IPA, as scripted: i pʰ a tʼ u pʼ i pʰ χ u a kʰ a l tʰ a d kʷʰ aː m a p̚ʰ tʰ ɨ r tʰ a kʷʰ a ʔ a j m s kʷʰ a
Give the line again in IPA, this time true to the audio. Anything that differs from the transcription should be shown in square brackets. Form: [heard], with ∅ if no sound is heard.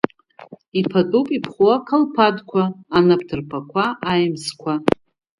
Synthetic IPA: i pʰ a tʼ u pʼ i pʰ χ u a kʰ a l [pʰ] a d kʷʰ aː [n] a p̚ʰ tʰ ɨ r [pʰ] a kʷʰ a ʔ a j m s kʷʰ a